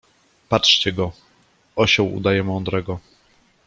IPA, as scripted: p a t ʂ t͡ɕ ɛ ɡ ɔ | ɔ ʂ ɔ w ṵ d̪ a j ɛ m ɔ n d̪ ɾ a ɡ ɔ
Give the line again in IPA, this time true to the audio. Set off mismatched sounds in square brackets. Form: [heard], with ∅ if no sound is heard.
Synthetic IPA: p a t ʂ t͡ɕ ɛ ɡ ɔ | ɔ [ɕ] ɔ w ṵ d̪ a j ɛ m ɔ n d̪ ɾ [ɛ] ɡ ɔ